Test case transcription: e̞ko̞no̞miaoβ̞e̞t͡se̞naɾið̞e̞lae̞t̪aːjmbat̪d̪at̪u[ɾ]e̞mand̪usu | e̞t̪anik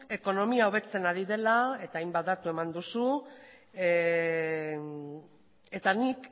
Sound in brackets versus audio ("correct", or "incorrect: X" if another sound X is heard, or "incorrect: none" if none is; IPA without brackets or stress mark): incorrect: none